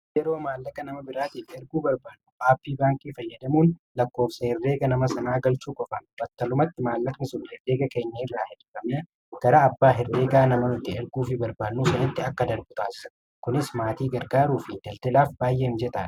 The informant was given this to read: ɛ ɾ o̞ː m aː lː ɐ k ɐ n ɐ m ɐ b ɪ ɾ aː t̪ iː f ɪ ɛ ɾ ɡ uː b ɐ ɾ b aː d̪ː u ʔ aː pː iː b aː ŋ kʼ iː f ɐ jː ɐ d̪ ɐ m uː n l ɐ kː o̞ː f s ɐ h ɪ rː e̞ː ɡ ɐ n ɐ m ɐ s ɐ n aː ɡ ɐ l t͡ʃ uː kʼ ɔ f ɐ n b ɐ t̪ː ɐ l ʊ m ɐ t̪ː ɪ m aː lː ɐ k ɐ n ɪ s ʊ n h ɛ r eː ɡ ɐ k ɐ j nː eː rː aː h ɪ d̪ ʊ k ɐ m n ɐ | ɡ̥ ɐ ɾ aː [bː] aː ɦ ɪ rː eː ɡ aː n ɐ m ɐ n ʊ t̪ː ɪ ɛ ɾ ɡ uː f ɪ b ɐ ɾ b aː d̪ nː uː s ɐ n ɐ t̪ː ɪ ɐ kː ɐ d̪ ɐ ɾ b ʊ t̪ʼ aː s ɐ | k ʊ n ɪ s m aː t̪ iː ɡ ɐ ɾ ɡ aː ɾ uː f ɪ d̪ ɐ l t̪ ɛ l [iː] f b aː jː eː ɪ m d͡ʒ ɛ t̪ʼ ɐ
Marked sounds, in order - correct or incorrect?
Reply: correct, incorrect: aː

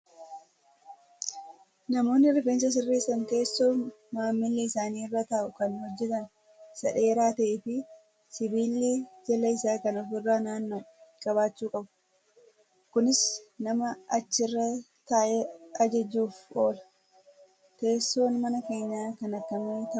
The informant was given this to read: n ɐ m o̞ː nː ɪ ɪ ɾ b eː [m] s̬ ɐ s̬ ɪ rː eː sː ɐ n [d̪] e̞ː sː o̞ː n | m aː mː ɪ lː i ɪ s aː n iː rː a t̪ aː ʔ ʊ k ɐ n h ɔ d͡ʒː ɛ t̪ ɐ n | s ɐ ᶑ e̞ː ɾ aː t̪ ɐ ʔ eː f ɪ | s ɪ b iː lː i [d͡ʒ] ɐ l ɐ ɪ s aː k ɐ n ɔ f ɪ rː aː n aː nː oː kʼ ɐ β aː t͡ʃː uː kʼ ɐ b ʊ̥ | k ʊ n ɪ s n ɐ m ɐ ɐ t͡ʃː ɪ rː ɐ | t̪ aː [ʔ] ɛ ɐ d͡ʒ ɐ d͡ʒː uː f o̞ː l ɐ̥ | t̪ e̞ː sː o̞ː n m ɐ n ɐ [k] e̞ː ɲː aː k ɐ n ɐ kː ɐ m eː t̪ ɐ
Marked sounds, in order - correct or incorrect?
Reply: incorrect: n, incorrect: t̪, correct, correct, correct

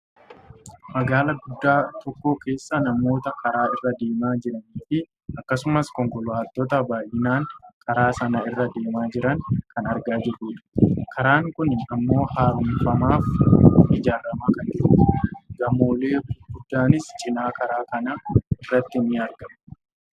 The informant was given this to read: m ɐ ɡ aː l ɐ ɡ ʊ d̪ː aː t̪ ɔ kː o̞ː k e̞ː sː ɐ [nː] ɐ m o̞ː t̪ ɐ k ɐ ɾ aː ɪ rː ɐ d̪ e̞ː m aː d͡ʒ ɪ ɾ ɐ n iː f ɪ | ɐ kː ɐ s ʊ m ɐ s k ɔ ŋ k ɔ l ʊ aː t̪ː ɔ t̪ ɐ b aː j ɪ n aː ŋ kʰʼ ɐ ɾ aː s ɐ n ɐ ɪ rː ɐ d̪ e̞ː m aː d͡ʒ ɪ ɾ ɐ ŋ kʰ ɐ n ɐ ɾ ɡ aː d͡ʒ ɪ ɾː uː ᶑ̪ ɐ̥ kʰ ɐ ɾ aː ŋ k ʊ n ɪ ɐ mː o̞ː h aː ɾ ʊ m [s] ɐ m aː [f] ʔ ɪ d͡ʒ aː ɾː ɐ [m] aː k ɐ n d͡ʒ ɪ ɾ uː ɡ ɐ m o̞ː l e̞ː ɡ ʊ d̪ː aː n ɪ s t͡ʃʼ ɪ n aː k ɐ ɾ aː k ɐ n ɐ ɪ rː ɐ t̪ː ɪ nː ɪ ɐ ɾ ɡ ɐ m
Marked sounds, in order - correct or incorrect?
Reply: incorrect: n, incorrect: f, correct, correct

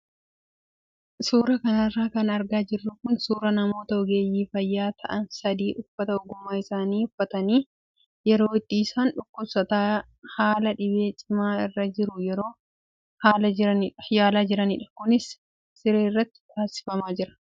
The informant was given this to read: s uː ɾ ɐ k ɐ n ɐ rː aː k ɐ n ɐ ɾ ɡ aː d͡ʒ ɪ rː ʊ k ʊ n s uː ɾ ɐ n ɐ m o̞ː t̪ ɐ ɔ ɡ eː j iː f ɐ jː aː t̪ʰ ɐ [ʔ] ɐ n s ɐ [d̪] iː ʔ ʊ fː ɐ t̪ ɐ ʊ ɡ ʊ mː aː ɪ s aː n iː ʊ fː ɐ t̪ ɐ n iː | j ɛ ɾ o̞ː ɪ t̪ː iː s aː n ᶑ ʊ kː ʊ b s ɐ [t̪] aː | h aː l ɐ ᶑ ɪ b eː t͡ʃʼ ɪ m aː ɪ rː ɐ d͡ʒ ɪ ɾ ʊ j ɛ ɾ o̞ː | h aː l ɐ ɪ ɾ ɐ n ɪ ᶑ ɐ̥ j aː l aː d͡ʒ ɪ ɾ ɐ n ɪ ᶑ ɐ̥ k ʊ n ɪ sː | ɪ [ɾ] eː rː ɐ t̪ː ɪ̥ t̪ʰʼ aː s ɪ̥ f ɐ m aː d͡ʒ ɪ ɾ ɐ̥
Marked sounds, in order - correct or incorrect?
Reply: correct, correct, correct, correct

